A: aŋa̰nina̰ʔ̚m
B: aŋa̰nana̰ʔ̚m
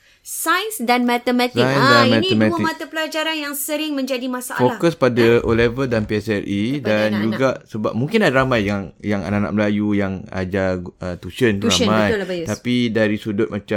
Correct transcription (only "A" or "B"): B